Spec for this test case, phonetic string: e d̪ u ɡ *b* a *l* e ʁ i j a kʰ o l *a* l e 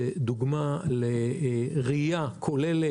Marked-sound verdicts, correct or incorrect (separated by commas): incorrect, correct, incorrect